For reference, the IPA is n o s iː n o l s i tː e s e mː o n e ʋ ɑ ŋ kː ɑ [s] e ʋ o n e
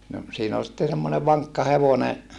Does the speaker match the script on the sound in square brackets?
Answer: no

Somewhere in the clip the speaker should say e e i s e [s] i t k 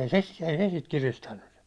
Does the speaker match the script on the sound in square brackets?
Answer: yes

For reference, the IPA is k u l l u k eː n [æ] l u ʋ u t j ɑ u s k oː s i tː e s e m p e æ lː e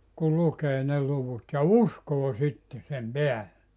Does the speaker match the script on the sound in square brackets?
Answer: no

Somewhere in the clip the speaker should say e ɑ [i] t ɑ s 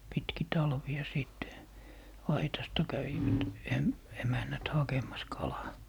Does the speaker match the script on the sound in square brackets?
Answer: yes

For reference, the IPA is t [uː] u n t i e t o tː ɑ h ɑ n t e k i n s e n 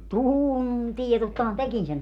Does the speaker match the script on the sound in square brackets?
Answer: yes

